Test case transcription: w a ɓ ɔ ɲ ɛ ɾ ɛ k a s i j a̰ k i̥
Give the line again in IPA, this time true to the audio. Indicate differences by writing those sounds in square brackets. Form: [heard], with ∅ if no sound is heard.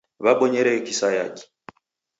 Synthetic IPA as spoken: [β] a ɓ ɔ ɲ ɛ ɾ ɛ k [i] s [a] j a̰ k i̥